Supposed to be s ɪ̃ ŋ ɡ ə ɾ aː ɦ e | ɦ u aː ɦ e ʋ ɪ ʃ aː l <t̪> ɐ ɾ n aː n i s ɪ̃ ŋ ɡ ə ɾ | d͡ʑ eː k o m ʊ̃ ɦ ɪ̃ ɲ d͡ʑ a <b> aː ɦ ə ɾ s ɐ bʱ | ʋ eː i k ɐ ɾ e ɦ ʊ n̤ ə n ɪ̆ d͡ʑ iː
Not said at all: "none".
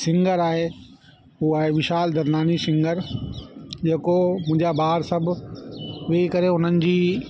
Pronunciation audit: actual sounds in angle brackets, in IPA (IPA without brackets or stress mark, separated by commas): d̪, b